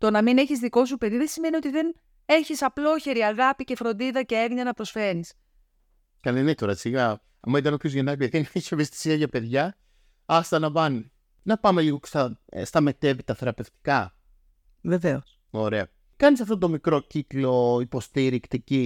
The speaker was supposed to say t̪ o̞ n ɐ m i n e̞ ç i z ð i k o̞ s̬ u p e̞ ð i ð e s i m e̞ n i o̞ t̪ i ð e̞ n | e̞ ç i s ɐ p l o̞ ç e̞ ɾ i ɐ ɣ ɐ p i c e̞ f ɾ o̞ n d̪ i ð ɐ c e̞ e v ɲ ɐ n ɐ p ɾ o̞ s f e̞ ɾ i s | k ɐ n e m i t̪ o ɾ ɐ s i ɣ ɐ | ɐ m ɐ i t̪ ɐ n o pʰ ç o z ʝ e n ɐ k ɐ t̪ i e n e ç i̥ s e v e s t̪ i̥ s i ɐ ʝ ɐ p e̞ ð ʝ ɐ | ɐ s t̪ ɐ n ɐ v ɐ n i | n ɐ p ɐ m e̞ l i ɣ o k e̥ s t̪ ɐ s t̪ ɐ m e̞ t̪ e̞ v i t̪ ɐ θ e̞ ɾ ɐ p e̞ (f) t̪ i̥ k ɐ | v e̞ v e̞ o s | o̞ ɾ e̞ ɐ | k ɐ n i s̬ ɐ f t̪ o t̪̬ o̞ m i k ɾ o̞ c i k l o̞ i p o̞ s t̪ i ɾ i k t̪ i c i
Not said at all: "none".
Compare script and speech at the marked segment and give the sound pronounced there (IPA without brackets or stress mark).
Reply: f